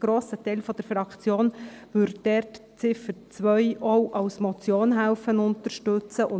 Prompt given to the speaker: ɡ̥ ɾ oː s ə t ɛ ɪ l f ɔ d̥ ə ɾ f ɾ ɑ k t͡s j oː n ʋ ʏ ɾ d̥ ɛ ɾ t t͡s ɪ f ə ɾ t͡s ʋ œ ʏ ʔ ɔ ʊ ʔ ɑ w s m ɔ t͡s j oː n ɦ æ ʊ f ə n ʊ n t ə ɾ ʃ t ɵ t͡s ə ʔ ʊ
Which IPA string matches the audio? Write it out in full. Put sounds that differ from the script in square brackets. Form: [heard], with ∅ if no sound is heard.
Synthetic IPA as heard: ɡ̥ ɾ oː s ə t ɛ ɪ l f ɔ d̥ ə ɾ f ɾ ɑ k t͡s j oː n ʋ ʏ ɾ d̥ ɛ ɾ t t͡s ɪ f ə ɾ t͡s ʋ œ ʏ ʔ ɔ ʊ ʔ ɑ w s m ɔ t͡s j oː n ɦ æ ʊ f ə n ʊ n t ə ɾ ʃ t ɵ t͡s ə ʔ ʊ